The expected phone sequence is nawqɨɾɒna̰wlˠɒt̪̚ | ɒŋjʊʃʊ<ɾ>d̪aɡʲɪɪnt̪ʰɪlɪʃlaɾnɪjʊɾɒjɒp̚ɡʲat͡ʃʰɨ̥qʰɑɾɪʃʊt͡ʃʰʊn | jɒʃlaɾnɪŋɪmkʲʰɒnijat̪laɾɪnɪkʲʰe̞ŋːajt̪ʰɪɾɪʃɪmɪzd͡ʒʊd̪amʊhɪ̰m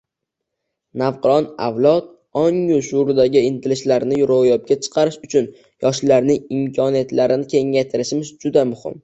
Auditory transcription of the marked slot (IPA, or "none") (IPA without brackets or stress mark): ɾ